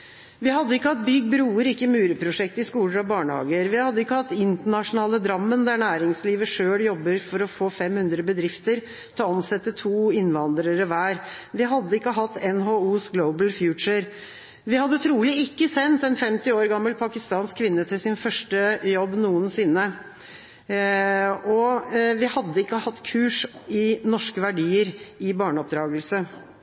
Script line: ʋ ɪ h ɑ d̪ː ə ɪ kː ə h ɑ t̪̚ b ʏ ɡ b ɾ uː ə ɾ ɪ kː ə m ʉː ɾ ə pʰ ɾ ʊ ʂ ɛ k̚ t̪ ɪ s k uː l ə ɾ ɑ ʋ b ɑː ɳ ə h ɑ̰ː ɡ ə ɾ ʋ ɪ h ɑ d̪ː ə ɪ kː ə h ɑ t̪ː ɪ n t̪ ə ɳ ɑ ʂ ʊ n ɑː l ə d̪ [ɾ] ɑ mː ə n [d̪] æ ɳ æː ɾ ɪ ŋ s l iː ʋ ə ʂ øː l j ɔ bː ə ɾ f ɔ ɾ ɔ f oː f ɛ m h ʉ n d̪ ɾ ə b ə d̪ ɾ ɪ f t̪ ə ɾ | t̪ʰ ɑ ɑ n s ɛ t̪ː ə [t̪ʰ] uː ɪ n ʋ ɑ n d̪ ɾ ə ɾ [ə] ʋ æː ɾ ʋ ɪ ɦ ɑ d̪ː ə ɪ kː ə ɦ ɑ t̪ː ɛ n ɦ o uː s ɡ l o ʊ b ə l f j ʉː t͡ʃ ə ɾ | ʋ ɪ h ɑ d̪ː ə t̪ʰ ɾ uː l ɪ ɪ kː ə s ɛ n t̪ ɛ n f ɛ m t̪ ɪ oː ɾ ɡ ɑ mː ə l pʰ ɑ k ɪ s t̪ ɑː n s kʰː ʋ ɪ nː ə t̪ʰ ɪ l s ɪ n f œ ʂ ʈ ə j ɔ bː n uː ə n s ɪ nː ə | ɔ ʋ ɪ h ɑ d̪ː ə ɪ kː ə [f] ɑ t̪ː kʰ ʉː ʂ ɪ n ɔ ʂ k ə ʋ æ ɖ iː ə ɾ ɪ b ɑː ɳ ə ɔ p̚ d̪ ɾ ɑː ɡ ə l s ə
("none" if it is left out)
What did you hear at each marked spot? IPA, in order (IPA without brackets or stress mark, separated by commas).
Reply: ɾ, d̪, t̪ʰ, ə, h